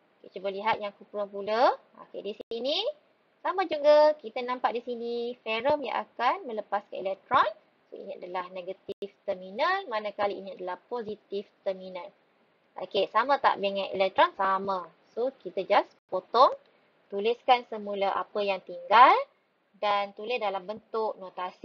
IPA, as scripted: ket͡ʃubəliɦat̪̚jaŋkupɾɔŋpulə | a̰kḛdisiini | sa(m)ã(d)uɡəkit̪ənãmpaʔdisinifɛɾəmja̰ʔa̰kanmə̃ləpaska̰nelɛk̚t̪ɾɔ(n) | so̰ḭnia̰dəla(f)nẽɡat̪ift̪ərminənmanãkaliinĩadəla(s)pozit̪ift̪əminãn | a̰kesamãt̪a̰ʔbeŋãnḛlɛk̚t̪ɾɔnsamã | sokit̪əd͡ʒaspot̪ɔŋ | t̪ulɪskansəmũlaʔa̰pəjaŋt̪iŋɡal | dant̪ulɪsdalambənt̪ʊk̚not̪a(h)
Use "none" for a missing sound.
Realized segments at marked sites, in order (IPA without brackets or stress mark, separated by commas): m, d͡ʒ, n, h, h, s